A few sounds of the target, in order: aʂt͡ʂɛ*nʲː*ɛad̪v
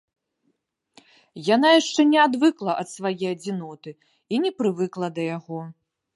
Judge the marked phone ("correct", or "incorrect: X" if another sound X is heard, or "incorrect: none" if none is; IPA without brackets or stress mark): incorrect: nʲ